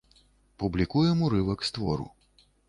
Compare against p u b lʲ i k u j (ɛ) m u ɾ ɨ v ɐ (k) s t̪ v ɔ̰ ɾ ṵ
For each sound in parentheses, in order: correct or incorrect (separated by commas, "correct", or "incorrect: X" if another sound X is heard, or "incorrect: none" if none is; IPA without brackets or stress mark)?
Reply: correct, correct